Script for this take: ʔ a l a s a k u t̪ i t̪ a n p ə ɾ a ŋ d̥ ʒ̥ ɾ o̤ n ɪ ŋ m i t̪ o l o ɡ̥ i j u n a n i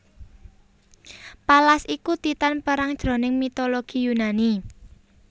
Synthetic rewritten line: p a l a s i k u t̪ i t̪ a n p ə ɾ a ŋ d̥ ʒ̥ ɾ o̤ n ɪ ŋ m i t̪ o l o ɡ̥ i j u n a n i